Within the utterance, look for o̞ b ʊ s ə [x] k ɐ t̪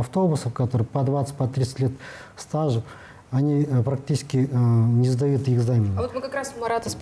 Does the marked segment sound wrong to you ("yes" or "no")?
yes